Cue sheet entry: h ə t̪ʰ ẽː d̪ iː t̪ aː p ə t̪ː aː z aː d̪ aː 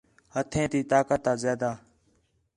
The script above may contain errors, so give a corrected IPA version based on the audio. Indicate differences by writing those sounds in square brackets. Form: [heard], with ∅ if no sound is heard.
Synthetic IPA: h ə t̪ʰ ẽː [t̪] iː t̪ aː [k] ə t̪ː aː z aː d̪ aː